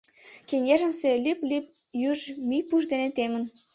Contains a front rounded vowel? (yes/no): yes